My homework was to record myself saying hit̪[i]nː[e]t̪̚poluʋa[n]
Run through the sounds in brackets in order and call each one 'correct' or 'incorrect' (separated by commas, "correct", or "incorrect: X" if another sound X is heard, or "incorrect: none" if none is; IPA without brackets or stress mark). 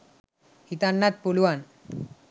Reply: incorrect: a, incorrect: a, correct